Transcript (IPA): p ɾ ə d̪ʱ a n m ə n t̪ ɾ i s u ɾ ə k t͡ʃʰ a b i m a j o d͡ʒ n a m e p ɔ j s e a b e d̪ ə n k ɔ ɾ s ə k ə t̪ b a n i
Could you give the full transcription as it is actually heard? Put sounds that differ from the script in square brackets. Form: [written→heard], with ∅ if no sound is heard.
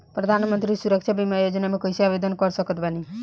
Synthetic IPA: p ɾ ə d̪ʱ a n m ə n t̪ ɾ i s u ɾ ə k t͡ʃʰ a b i m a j o d͡ʒ n a m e [p→k] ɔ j s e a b e d̪ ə n k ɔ ɾ s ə k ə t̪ b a n i